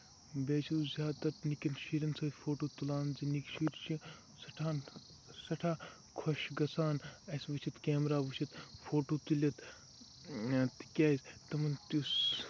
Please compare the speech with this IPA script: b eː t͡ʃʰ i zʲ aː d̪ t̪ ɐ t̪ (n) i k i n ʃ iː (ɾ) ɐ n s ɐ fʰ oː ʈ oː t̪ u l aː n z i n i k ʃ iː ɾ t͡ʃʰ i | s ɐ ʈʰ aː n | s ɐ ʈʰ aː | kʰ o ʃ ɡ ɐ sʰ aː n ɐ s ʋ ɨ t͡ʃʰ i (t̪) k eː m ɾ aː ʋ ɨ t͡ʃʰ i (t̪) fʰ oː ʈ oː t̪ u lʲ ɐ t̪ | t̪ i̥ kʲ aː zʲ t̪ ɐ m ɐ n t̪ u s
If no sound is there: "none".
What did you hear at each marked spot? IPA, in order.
n, ɾ, t̪, t̪

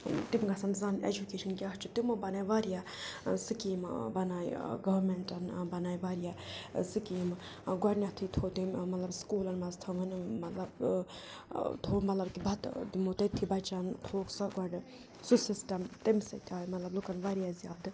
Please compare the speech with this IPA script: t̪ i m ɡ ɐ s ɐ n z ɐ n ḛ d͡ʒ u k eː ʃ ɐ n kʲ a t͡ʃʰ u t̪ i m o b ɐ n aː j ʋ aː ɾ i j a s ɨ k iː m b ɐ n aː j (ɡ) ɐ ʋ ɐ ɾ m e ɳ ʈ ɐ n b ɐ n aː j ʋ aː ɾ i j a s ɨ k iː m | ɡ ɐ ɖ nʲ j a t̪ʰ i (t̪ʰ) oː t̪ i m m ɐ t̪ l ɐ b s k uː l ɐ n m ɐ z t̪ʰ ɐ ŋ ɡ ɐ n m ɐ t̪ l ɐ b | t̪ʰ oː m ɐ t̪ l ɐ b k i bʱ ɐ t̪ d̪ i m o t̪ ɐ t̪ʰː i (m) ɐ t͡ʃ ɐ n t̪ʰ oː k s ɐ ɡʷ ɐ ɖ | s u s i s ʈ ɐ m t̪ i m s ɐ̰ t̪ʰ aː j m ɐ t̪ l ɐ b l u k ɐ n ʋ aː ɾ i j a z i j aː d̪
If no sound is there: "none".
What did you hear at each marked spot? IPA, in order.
ɡ, t̪ʰ, b

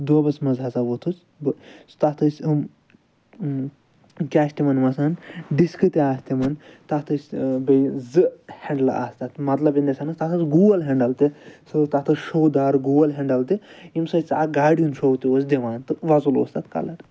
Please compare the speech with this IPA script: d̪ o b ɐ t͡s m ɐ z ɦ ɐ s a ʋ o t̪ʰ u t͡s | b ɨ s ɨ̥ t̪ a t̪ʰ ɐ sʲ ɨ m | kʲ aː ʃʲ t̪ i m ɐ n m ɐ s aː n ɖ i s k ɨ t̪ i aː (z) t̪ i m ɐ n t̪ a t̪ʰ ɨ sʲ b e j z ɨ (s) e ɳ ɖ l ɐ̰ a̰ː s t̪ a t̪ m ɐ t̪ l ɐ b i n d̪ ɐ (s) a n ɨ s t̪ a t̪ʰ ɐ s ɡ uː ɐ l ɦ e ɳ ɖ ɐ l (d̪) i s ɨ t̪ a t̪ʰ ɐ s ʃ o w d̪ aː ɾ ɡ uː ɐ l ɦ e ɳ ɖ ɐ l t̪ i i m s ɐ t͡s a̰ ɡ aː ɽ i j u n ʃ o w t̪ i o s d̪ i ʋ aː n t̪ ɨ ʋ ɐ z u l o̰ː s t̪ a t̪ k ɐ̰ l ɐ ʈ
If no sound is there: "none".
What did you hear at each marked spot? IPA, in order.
s, h, s, t̪

